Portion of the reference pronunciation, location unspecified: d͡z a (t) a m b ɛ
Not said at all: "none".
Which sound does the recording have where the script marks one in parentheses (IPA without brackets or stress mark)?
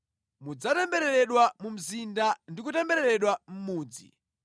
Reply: t